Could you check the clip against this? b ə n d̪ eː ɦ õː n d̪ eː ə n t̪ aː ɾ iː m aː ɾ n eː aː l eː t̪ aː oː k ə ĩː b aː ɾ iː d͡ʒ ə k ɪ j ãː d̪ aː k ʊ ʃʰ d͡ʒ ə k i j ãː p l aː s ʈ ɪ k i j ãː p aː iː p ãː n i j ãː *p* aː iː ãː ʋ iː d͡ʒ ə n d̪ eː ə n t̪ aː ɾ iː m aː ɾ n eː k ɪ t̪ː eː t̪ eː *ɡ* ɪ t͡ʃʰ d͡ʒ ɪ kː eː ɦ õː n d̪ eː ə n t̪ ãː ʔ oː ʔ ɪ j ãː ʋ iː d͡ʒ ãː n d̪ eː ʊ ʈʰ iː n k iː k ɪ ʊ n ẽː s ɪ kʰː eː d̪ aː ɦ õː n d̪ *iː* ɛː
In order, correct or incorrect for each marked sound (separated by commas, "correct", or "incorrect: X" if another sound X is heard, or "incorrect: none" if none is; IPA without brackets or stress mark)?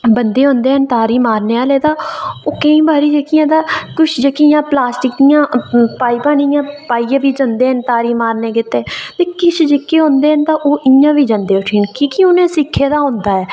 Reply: correct, incorrect: k, incorrect: aː